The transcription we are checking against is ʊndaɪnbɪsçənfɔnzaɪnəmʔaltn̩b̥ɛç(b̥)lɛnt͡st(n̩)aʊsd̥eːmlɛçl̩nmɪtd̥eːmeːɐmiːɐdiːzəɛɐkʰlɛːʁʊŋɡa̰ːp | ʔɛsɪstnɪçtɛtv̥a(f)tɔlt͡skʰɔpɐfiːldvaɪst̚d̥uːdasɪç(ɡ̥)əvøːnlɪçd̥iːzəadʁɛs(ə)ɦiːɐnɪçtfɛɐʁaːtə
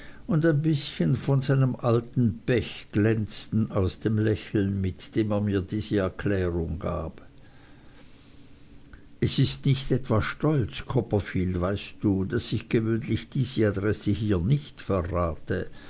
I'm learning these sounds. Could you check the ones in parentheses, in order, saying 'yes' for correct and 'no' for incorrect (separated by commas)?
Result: no, yes, no, yes, yes